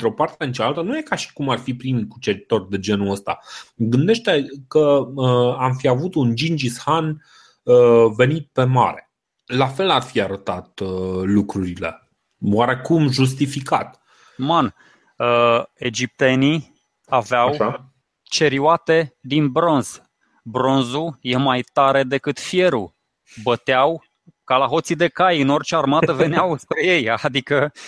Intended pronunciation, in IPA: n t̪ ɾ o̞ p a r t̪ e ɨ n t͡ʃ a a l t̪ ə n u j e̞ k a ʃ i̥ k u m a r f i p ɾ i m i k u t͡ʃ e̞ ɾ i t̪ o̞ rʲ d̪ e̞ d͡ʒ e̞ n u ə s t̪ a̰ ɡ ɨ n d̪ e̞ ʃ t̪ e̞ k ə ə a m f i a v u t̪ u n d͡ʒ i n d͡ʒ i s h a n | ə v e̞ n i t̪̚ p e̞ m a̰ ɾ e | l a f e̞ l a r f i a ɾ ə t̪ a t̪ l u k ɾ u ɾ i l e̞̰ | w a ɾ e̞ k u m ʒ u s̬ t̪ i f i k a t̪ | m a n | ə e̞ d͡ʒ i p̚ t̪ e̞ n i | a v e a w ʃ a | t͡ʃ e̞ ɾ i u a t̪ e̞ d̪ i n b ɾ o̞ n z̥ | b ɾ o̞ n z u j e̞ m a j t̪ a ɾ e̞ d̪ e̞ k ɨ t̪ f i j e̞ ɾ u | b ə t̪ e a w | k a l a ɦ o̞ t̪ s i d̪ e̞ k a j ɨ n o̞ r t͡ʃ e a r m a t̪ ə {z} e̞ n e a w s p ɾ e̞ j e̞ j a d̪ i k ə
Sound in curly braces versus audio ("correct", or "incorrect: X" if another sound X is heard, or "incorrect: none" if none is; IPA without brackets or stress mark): incorrect: v